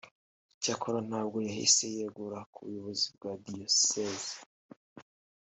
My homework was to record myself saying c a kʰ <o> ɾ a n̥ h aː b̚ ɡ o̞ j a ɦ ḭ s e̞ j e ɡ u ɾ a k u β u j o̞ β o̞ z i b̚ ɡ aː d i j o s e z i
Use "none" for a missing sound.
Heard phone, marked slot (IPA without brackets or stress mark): o